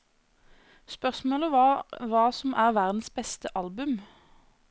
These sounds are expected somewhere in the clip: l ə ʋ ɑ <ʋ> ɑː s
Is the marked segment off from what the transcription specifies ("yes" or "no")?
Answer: no